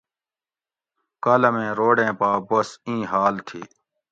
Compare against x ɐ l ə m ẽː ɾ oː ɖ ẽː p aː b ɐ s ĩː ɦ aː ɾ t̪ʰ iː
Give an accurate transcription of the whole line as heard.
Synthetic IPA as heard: k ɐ l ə m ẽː ɾ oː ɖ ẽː p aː b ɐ s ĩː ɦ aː l t̪ʰ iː